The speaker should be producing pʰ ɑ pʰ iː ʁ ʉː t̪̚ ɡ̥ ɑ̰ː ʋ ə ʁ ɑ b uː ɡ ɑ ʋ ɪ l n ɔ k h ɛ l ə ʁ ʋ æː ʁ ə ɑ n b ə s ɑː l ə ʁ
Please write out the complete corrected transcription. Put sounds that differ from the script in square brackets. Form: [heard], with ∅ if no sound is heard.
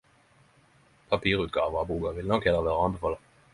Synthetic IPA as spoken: pʰ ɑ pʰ iː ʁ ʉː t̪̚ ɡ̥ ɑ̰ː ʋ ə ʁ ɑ b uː ɡ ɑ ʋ ɪ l n ɔ k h ɛ l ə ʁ ʋ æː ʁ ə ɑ n b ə [f] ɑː l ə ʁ